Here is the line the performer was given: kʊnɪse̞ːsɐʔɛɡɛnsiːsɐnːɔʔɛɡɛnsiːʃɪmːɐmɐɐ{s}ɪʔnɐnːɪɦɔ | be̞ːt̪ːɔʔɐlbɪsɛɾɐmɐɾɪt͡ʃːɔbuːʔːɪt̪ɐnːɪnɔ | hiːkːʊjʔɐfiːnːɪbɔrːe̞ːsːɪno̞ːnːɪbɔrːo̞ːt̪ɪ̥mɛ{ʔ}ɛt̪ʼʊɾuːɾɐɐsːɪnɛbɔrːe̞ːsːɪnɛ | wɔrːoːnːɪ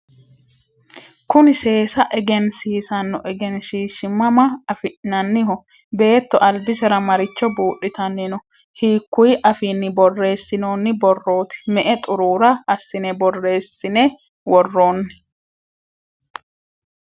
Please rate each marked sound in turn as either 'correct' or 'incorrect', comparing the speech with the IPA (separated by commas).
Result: incorrect, correct